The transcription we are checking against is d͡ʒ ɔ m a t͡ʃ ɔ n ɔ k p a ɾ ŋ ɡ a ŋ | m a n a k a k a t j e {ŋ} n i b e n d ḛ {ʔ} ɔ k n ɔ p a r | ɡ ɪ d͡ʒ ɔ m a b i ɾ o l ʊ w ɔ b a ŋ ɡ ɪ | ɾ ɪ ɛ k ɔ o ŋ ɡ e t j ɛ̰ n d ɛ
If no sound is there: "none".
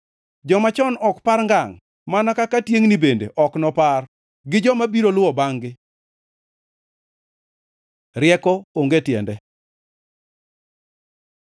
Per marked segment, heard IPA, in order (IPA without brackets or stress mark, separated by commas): ŋ, ʔ